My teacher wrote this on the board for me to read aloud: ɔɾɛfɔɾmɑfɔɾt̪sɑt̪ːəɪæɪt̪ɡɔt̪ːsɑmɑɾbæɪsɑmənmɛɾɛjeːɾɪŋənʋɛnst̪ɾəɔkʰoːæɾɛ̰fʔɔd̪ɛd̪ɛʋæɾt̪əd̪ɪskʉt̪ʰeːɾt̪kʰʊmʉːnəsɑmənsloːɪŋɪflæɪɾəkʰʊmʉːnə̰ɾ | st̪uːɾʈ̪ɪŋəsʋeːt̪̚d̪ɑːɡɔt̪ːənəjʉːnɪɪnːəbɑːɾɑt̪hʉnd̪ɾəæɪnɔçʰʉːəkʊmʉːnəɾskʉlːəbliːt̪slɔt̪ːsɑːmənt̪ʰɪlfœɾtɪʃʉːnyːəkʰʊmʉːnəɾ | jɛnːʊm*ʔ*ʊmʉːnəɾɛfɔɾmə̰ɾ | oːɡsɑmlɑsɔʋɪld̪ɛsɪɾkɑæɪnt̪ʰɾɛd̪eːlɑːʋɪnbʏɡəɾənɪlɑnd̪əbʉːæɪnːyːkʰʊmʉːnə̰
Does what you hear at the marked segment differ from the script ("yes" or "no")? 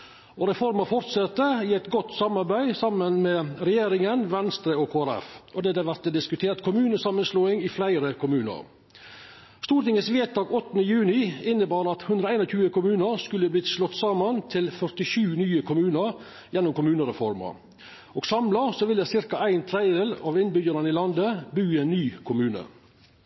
yes